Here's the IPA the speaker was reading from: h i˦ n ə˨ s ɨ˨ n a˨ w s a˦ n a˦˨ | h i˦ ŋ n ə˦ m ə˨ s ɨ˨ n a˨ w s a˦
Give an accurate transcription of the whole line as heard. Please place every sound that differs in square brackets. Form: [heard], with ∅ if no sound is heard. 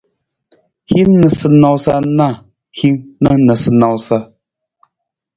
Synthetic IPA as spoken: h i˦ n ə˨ s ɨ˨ n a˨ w s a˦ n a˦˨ | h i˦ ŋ n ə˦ [n] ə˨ s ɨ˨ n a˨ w s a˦